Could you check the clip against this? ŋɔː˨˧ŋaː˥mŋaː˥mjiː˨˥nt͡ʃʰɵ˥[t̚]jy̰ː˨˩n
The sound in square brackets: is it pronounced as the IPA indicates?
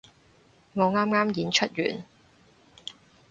yes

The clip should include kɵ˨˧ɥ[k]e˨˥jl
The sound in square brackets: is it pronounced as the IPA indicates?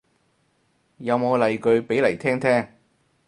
no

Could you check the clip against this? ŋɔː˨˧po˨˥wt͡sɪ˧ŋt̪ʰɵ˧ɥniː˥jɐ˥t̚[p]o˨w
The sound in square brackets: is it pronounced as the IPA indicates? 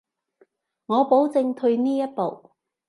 yes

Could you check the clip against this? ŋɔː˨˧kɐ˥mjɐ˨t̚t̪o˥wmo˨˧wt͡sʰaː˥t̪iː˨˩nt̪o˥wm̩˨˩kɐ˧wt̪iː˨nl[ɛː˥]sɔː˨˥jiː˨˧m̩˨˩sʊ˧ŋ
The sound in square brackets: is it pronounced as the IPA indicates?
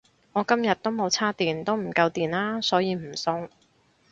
no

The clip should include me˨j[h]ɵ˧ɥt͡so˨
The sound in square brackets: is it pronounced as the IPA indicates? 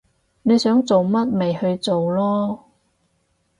yes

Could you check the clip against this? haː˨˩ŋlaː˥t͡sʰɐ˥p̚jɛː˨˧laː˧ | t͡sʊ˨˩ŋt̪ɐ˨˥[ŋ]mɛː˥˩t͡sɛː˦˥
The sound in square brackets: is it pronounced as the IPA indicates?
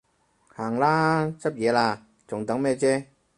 yes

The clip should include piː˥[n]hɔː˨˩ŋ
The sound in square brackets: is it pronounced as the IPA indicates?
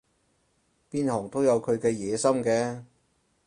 yes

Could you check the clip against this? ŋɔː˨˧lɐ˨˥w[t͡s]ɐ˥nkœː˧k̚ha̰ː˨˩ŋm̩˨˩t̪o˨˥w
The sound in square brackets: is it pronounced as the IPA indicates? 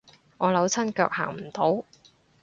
no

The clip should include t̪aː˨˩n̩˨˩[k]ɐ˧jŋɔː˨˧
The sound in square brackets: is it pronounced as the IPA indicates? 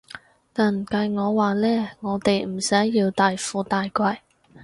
yes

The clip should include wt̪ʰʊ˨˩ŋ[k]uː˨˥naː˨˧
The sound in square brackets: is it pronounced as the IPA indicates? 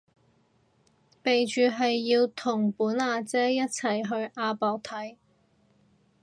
no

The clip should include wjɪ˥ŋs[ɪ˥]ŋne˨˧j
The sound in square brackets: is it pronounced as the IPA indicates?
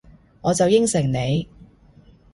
no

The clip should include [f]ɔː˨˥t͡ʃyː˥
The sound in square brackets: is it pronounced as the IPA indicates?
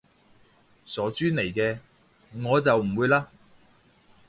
no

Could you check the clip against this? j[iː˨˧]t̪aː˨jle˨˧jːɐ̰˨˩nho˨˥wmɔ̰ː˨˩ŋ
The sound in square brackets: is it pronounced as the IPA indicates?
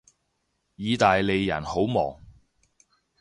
yes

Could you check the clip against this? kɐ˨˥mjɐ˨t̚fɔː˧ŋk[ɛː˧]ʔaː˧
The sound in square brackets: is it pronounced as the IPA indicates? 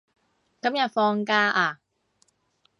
no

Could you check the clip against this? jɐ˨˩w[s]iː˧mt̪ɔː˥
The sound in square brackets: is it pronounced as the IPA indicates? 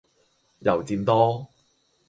no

